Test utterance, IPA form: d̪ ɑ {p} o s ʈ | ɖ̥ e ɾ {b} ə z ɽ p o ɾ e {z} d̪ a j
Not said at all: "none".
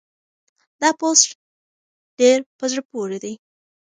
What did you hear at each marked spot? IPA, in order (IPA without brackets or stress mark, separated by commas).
p, p, none